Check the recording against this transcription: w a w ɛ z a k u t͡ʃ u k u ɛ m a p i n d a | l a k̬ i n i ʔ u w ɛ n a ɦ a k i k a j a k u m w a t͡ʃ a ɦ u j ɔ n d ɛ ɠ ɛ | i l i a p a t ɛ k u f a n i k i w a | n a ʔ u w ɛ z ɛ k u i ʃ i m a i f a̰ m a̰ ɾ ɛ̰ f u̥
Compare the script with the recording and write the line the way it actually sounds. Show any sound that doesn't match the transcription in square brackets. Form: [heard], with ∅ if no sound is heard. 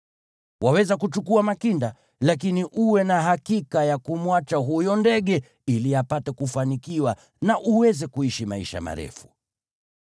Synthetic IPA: w a w ɛ z a k u t͡ʃ u k u [a] m a [k] i n d a | l a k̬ i n i ʔ u w ɛ n a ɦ a k i k a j a k u m w a t͡ʃ a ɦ u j ɔ n d ɛ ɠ ɛ | i l i a p a t ɛ k u f a n i k i w a | n a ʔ u w ɛ z ɛ k u i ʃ i m a i [ʃ] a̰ m a̰ ɾ ɛ̰ f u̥